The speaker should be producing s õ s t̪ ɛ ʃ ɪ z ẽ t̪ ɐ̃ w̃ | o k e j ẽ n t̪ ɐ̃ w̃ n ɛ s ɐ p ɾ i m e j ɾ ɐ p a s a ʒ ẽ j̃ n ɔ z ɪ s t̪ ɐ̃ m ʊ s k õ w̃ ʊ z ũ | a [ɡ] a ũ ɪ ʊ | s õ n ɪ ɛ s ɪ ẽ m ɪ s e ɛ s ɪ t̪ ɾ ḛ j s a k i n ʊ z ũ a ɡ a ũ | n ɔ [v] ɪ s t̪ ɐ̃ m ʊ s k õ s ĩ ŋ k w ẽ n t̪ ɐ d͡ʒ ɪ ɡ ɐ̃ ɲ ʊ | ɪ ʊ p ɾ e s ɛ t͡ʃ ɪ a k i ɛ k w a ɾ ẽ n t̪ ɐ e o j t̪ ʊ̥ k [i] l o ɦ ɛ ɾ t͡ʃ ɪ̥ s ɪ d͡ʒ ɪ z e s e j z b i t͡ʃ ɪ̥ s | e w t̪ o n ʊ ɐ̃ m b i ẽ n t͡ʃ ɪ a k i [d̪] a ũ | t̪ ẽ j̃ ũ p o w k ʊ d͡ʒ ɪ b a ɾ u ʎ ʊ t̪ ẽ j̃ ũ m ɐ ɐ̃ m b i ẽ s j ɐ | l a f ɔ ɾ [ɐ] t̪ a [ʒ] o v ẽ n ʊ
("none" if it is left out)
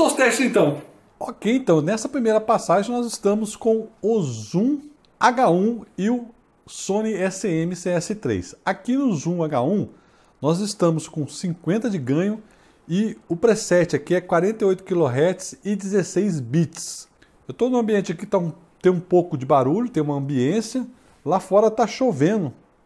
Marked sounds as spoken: ɡ, z, i, t̪, ɐ, ʃ

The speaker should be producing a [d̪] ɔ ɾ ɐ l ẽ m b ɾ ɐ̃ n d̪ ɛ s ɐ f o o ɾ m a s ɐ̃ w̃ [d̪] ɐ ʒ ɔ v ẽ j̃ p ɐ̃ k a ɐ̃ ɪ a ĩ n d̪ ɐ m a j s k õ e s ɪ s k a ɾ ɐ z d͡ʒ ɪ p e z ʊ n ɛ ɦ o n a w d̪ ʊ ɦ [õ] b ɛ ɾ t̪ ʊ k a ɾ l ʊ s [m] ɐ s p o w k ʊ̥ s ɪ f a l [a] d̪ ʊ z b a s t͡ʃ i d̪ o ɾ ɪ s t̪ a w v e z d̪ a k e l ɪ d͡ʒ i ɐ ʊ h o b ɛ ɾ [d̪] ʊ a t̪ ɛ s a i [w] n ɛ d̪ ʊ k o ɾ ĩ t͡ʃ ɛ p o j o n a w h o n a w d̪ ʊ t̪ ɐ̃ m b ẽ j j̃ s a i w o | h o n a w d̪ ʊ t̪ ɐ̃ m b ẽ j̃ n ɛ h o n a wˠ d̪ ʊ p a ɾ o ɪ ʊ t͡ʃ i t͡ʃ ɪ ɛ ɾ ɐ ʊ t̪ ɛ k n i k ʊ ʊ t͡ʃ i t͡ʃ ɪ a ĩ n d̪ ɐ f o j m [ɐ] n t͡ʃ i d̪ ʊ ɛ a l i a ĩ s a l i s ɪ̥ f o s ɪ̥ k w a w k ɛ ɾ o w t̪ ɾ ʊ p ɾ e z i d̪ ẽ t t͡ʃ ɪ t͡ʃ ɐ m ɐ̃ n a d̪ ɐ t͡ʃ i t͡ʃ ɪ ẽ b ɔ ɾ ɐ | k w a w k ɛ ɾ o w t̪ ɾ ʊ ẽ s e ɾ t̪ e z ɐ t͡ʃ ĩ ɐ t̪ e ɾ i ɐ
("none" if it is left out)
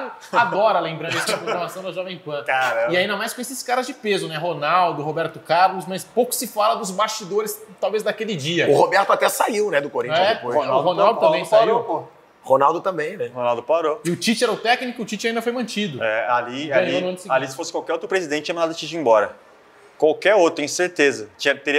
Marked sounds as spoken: d̪, d̪, o, m, ɐ, t̪, w, ɐ̃

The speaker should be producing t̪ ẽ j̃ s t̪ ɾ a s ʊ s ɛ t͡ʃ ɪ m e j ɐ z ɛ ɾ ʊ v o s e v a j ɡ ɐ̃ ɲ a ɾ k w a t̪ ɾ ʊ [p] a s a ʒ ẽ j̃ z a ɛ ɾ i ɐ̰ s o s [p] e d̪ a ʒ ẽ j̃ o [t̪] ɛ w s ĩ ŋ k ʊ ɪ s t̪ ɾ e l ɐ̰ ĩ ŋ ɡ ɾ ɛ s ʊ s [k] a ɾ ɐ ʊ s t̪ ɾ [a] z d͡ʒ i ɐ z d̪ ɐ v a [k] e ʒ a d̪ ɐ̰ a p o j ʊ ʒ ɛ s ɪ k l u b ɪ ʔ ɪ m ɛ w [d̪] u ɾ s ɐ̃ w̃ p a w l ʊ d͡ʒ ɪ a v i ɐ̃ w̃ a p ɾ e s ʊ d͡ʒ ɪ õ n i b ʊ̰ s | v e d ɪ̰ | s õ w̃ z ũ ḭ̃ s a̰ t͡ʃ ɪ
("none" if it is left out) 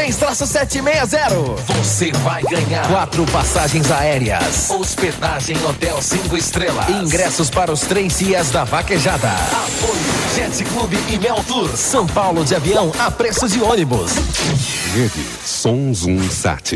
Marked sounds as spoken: p, p, t̪, p, e, k, t̪

